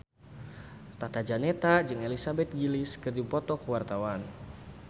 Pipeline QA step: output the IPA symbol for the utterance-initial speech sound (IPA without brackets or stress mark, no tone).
t̪